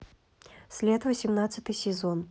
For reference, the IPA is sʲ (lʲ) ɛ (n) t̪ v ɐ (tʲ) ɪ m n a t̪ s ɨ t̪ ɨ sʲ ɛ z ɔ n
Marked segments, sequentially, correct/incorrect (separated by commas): correct, incorrect, incorrect